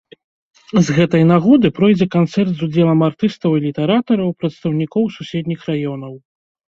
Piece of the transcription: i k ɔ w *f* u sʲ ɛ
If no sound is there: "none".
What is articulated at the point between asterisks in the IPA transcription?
s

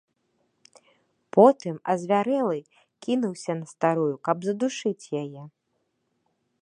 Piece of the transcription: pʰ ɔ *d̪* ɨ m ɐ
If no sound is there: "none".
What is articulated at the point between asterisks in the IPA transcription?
t̪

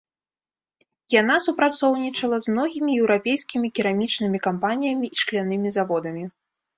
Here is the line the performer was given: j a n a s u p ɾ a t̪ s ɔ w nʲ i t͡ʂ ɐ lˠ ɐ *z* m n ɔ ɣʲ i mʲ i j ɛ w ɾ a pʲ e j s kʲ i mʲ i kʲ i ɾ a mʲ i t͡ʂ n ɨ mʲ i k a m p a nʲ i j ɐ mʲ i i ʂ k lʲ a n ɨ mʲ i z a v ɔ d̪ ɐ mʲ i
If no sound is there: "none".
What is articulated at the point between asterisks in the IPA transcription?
z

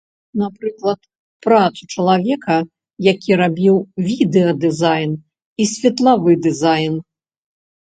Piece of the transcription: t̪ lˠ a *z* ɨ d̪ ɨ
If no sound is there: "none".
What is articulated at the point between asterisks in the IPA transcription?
v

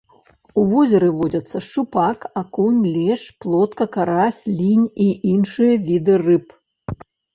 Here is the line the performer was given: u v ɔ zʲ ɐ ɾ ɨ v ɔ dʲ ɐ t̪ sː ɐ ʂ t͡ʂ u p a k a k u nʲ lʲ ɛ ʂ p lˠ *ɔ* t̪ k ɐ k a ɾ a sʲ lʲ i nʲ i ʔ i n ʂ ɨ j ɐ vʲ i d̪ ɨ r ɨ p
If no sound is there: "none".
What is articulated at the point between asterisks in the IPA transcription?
ɔ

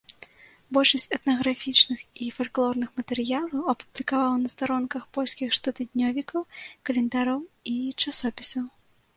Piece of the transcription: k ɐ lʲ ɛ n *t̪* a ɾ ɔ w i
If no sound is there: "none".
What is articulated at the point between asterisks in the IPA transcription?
d̪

